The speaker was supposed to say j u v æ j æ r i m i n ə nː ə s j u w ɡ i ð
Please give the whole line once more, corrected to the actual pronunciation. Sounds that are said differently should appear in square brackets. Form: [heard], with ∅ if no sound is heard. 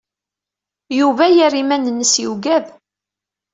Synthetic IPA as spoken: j u v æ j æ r i m [æ] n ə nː ə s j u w ɡ [æ] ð